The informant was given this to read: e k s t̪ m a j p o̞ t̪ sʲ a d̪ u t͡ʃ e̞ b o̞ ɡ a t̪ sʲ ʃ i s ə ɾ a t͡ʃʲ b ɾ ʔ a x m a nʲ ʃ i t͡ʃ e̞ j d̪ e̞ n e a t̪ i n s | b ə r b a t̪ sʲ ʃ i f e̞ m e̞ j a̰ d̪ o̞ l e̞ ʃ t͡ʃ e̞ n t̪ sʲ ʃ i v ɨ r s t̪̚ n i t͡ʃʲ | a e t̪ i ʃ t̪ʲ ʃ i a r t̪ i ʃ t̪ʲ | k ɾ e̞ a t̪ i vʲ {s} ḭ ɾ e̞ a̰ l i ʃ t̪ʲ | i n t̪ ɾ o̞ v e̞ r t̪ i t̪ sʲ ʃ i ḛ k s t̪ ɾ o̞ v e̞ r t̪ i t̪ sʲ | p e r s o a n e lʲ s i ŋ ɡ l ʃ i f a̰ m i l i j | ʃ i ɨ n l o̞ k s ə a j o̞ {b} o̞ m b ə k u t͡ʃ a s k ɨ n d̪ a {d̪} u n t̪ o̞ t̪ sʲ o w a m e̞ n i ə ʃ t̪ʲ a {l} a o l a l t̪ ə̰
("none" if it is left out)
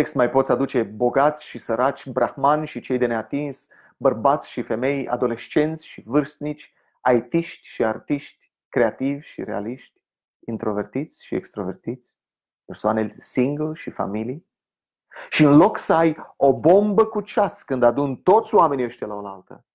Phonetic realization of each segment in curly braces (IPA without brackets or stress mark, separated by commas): ʃ, b, d̪, l